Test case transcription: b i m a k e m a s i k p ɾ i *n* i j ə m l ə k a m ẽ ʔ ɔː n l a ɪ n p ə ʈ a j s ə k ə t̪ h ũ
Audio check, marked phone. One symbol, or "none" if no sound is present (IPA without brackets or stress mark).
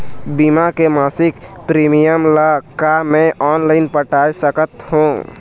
m